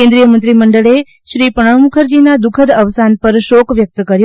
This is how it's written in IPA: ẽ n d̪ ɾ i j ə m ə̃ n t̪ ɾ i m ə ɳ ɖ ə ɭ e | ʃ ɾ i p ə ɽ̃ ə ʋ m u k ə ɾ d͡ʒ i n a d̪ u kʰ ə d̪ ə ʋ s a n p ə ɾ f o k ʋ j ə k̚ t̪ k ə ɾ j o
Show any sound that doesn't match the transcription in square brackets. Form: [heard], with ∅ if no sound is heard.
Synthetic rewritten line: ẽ n d̪ ɾ i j ə m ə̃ n t̪ ɾ i m ə ɳ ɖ ə ɭ e | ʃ ɾ i p ə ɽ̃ ə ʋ m u [kʰ] ə ɾ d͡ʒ i n a d̪ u kʰ ə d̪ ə ʋ s a n p ə ɾ [ʃ] o k ʋ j ə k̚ t̪ k ə ɾ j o